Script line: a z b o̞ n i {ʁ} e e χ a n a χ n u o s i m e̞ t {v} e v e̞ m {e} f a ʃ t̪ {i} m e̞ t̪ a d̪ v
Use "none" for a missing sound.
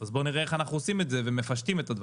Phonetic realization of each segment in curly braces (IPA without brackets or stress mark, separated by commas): ʁ, z, e, i